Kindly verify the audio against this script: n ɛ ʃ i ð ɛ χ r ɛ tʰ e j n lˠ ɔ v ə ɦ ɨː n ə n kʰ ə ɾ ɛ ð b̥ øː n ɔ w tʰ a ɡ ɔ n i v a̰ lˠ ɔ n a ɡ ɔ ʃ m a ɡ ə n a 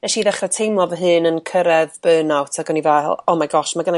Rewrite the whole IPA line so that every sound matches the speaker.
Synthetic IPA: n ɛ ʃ i ð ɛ χ r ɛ tʰ e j m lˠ ɔ v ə ɦ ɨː n ə n kʰ ə ɾ ɛ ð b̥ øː n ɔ w tʰ a ɡ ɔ n i v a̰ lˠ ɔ m a ɡ ɔ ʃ m a ɡ ə n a